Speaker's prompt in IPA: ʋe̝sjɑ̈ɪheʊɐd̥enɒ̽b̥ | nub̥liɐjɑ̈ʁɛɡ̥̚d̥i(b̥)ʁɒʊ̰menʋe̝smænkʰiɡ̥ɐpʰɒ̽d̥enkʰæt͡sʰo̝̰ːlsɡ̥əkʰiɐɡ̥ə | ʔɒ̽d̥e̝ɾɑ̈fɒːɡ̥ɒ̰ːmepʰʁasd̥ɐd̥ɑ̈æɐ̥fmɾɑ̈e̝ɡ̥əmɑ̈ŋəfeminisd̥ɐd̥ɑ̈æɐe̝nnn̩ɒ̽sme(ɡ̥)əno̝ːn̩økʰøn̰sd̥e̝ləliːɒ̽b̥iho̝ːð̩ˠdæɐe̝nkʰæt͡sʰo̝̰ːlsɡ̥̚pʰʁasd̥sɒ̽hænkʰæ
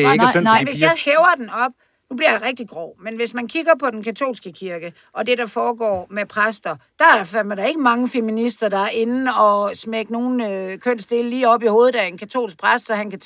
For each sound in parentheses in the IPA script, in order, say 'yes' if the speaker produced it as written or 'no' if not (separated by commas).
no, yes